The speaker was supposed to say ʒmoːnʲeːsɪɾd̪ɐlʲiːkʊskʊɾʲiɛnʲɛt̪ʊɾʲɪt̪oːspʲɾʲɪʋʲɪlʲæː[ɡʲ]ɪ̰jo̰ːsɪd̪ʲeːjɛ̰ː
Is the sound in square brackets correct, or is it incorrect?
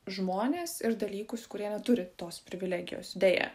correct